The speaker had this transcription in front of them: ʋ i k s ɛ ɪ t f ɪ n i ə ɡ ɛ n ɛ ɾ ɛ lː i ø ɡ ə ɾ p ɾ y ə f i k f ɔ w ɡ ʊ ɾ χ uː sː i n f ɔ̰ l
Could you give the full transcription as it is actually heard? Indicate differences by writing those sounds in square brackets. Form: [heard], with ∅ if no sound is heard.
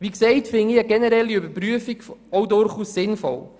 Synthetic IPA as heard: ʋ i k s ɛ ɪ t f ɪ n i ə ɡ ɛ n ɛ ɾ ɛ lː i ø [b] ə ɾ p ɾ y ə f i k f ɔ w [d] ʊ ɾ χ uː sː [ɪ] n f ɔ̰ l